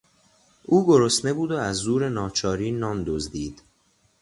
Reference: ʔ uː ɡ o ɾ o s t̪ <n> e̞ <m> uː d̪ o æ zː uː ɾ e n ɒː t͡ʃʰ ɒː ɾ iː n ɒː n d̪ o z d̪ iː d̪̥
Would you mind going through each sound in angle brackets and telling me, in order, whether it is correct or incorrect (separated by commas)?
correct, incorrect